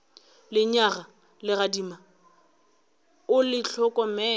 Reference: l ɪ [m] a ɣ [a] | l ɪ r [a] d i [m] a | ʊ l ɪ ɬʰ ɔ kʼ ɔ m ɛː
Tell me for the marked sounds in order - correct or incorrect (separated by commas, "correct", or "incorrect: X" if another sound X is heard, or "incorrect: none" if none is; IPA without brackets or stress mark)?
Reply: incorrect: ɲ, correct, correct, correct